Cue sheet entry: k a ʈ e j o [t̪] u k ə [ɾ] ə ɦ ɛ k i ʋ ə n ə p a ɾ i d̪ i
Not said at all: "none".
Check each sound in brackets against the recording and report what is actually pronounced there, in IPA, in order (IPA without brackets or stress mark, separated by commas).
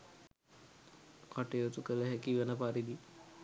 t̪, l